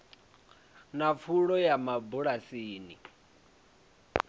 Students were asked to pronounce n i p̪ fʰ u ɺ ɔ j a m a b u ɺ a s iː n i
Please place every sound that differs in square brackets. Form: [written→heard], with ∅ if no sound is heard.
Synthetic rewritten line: n [i→a] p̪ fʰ u ɺ ɔ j a m a b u ɺ a s iː n i